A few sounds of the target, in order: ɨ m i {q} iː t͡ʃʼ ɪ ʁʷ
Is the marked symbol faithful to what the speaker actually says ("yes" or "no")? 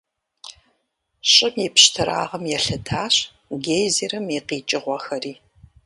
yes